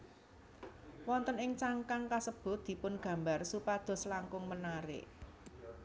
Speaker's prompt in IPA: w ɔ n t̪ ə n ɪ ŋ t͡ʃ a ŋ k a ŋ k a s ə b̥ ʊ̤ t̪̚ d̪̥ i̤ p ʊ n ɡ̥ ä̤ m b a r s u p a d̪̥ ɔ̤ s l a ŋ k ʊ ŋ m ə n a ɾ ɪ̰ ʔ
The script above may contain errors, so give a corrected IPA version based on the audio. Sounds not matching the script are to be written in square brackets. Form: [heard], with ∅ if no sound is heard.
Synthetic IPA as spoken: w ɔ n t̪ ə n ɪ ŋ t͡ʃ a ŋ k a ŋ k a s ə b̥ ʊ̤ t̪̚ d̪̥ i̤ p ʊ n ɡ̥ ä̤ m b a r s u p a d̪̥ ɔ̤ s l a ŋ k ʊ ŋ m ə n a ɾ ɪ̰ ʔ